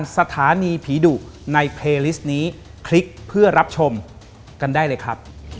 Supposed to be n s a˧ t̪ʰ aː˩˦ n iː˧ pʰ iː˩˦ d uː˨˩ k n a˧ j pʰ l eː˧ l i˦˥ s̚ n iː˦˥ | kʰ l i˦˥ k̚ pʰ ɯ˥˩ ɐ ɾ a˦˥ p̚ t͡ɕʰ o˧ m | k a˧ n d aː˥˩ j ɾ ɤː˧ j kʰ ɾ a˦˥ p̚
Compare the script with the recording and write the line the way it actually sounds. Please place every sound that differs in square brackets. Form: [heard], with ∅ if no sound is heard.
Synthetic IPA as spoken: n s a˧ t̪ʰ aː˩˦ n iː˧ pʰ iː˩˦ d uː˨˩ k n a˧ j pʰ l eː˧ l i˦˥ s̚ n iː˦˥ | kʰ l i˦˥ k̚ pʰ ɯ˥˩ ɐ ɾ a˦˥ p̚ t͡ɕʰ o˧ m | k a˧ n d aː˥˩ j [l] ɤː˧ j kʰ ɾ a˦˥ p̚